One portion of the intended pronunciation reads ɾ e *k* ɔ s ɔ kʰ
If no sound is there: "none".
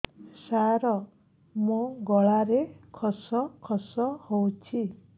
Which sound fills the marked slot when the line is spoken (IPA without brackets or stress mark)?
kʰ